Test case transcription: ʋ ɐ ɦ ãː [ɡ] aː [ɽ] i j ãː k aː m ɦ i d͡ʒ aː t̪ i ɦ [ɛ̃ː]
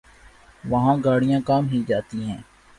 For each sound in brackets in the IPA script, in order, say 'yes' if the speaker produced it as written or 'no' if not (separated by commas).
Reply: yes, yes, yes